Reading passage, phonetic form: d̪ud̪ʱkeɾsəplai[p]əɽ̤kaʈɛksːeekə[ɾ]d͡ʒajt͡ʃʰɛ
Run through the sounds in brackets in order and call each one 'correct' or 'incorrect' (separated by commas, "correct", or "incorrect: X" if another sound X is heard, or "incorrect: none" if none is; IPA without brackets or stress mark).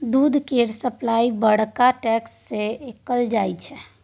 incorrect: b, incorrect: l